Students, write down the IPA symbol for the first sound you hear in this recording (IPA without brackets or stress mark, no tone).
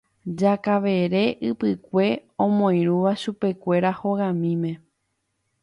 d͡ʒ